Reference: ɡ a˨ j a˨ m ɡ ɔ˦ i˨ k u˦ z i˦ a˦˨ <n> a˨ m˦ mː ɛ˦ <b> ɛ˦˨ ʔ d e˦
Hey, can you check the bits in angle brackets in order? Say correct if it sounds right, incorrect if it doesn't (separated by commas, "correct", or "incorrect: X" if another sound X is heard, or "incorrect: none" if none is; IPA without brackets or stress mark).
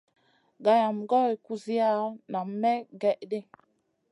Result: correct, incorrect: ɡ